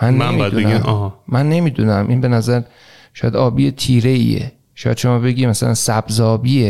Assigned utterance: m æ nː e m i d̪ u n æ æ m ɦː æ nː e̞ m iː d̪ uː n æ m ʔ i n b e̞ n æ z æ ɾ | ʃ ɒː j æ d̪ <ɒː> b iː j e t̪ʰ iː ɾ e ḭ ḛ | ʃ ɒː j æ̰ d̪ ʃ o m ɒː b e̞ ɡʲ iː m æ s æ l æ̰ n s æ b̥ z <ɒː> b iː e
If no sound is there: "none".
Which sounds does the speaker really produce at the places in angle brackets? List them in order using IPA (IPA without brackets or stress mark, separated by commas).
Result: ɒː, ɒː